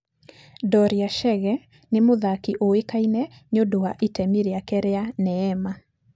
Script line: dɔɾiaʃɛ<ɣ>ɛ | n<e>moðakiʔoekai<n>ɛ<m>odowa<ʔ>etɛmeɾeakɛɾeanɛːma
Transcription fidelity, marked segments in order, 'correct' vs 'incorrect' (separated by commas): correct, correct, correct, incorrect, correct